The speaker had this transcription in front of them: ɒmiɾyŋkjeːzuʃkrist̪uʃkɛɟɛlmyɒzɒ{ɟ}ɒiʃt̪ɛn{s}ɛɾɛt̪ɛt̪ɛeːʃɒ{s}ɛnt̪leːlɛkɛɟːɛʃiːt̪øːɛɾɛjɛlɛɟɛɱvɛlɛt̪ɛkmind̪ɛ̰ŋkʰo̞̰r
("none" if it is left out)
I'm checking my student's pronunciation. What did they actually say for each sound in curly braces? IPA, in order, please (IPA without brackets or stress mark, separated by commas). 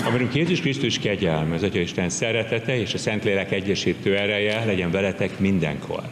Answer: c, s, s